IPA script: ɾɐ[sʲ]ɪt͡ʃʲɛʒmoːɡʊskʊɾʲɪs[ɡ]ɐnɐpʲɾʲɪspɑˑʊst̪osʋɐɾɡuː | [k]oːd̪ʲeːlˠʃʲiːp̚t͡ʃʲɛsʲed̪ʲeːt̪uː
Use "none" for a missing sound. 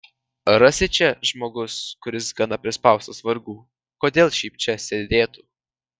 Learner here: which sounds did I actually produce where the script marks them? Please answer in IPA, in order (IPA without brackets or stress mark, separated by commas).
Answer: sʲ, ɡ, k